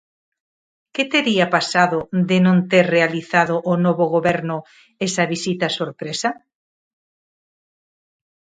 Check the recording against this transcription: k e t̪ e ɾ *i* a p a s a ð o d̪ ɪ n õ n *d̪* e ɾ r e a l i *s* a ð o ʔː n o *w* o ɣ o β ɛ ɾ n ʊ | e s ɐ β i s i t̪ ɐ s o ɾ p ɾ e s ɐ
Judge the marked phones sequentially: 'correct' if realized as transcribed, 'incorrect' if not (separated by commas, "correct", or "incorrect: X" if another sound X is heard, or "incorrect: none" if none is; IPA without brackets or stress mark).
correct, incorrect: t̪, incorrect: θ, incorrect: β